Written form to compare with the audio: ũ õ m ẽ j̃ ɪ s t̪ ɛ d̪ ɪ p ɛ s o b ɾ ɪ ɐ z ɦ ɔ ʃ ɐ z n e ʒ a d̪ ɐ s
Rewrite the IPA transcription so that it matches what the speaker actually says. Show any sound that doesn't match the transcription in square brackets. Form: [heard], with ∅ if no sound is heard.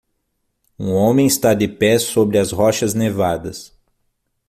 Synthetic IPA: ũ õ m ẽ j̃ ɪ s t̪ [a] d̪ ɪ p ɛ s o b ɾ ɪ ɐ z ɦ ɔ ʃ ɐ z n e [v] a d̪ ɐ s